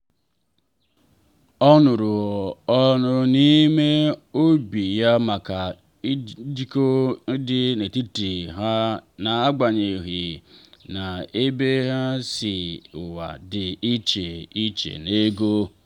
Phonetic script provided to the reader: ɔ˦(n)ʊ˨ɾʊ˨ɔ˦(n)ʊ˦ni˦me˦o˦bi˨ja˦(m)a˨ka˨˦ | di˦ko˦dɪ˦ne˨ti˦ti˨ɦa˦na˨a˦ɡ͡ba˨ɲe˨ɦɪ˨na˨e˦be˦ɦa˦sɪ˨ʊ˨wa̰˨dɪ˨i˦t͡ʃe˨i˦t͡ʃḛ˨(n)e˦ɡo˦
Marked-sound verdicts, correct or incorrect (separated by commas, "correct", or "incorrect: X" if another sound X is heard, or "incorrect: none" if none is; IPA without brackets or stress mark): correct, correct, correct, correct